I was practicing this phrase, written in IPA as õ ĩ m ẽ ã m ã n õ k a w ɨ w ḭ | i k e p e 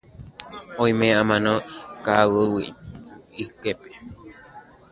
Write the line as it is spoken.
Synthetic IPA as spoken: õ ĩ m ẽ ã m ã n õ k a w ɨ w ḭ | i k e p e